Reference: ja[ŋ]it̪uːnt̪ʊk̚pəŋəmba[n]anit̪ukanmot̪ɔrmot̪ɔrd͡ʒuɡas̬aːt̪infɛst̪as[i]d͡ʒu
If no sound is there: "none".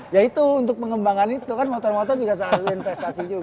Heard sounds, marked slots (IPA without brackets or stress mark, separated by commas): none, ŋ, i